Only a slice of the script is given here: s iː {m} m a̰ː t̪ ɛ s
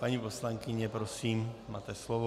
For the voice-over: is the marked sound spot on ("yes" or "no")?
yes